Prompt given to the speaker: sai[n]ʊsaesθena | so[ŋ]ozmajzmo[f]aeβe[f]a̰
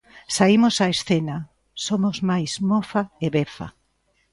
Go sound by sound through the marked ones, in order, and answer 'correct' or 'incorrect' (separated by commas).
incorrect, incorrect, correct, correct